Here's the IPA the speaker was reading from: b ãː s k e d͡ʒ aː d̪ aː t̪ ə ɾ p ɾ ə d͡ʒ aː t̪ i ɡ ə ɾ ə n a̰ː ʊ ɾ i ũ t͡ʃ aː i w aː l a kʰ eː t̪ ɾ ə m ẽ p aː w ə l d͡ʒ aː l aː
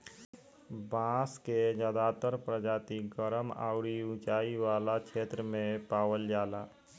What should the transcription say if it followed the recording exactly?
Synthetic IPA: b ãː s k e d͡ʒ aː d̪ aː t̪ ə ɾ p ɾ ə d͡ʒ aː t̪ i ɡ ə ɾ ə m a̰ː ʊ ɾ i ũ t͡ʃ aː i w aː l a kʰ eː t̪ ɾ ə m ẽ p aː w ə l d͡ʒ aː l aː